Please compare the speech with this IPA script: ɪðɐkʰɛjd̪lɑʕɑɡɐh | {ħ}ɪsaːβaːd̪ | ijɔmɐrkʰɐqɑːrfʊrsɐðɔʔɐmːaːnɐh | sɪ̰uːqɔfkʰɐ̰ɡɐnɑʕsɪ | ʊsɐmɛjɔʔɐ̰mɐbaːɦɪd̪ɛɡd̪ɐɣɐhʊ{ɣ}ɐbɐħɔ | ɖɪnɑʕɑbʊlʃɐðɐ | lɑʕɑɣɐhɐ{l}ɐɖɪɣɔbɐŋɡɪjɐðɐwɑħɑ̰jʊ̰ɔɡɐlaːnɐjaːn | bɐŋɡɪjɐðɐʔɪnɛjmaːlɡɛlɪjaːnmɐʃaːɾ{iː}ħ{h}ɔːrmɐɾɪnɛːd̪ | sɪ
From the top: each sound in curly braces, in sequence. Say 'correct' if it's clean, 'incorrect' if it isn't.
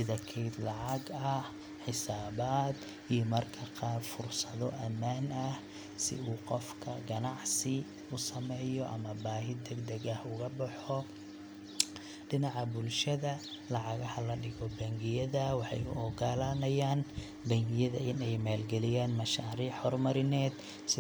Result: correct, correct, correct, correct, correct

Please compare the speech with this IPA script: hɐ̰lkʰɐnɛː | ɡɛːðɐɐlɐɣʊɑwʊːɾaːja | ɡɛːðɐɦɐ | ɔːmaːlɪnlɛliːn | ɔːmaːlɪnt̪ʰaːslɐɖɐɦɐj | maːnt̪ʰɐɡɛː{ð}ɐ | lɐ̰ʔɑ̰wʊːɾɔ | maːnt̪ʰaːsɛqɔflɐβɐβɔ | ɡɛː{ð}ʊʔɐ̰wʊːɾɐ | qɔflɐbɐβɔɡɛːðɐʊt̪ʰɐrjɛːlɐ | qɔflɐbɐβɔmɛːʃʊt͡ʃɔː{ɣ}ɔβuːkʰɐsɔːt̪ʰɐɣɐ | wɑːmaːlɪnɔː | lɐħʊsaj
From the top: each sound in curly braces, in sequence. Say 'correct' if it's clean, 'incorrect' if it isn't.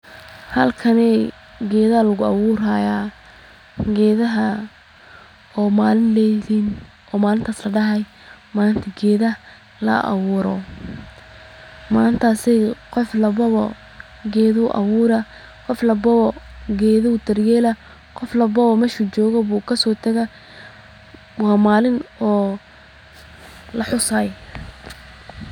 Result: correct, correct, correct

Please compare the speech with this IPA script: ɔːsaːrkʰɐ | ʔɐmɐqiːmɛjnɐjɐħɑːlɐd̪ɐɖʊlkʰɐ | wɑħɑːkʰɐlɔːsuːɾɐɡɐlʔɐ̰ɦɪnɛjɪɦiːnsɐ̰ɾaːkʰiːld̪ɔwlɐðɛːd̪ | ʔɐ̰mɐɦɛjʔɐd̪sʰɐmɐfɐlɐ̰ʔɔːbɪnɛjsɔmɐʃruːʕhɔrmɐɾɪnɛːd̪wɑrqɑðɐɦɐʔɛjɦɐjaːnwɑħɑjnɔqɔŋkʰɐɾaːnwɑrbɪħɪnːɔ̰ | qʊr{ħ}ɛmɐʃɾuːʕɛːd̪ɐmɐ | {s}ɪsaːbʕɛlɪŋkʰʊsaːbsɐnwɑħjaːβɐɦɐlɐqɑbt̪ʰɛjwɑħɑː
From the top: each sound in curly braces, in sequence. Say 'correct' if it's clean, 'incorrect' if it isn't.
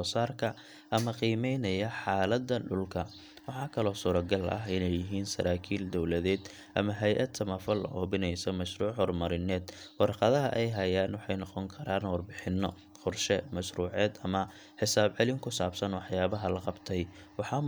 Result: incorrect: ʃ, incorrect: ħ

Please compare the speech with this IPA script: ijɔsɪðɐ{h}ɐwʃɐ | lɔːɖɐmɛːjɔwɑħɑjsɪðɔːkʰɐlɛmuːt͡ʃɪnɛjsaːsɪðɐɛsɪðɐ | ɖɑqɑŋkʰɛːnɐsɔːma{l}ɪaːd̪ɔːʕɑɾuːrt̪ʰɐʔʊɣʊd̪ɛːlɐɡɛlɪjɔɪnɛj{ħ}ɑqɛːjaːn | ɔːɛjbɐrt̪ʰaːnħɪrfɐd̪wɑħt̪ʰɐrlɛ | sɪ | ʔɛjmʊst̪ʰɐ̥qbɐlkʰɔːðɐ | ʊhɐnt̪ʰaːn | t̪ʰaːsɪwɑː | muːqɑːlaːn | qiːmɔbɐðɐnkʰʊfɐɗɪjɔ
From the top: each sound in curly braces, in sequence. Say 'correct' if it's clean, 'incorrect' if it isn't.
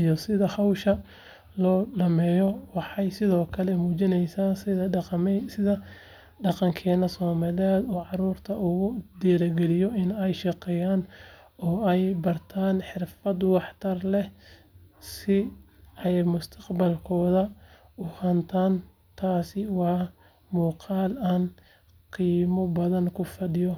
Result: correct, correct, incorrect: ʃ

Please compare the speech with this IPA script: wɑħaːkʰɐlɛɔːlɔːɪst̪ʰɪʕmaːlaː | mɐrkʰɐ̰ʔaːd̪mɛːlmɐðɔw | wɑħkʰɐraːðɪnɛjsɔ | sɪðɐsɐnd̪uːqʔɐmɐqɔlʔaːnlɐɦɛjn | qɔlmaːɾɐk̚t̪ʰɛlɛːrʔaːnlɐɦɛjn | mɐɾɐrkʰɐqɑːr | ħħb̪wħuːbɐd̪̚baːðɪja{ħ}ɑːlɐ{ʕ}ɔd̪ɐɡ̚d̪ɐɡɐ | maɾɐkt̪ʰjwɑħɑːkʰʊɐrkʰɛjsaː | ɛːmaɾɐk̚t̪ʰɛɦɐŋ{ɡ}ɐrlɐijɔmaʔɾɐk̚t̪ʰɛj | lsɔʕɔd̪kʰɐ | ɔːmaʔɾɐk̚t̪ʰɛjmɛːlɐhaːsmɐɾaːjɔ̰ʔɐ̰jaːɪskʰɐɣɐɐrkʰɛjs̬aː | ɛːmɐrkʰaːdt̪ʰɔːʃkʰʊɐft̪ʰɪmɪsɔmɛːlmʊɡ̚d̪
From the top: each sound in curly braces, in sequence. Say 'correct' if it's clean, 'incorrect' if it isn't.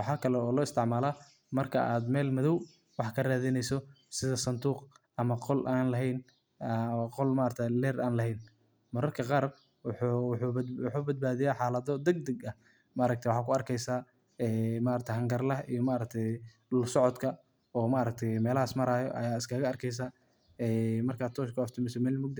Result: correct, incorrect: ð, correct

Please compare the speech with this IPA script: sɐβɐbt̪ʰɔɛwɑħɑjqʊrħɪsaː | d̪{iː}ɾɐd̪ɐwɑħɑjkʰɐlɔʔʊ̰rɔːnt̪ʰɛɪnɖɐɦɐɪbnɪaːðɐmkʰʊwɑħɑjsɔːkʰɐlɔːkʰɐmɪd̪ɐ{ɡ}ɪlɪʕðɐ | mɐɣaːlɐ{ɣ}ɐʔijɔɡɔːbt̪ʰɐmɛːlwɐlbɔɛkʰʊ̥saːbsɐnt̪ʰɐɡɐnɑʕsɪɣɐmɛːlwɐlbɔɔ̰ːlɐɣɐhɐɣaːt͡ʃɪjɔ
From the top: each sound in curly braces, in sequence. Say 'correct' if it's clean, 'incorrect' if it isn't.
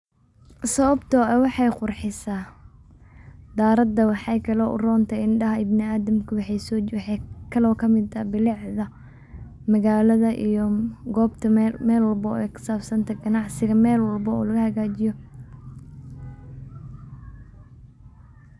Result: incorrect: aː, incorrect: b, incorrect: ð

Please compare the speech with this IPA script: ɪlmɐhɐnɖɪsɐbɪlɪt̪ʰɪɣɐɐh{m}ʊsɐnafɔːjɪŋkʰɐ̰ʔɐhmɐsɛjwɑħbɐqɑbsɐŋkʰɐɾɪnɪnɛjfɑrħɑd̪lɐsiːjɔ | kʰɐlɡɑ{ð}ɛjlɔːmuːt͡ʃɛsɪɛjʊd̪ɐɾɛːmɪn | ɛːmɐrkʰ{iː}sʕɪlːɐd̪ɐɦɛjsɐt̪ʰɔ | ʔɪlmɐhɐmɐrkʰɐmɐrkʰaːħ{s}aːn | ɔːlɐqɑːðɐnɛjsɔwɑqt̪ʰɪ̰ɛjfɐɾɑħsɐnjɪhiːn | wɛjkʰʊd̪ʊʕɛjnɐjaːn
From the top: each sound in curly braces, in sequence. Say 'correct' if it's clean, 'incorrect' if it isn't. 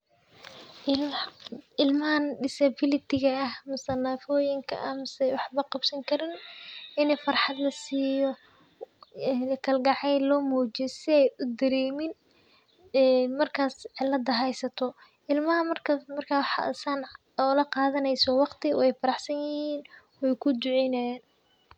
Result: correct, incorrect: ʕ, incorrect: aː, correct

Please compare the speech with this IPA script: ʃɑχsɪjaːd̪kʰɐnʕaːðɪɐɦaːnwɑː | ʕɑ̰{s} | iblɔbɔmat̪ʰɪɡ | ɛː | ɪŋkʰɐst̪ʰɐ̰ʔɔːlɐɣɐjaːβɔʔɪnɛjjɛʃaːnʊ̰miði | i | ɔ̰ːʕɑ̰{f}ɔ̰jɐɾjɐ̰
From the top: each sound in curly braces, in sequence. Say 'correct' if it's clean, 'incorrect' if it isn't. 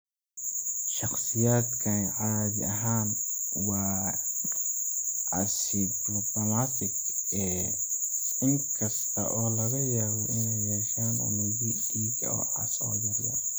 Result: correct, incorrect: s

